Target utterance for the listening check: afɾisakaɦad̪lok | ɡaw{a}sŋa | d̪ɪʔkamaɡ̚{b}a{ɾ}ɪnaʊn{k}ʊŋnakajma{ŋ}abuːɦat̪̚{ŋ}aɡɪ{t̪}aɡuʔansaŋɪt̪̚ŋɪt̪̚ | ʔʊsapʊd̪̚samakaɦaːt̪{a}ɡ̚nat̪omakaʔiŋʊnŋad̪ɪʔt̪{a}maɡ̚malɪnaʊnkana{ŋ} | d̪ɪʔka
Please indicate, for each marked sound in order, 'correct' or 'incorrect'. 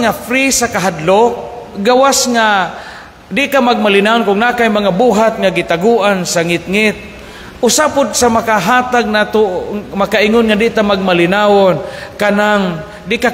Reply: correct, incorrect: m, incorrect: l, correct, correct, correct, correct, correct, correct, correct

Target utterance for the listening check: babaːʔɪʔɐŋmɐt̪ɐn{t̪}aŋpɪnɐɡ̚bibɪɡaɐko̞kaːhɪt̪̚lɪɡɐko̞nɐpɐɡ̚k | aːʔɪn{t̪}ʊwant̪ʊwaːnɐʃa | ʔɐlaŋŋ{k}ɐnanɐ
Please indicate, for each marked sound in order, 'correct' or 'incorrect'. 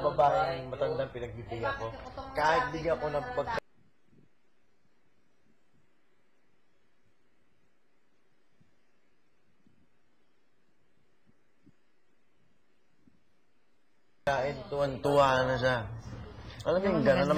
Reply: incorrect: d̪, correct, incorrect: ɡ

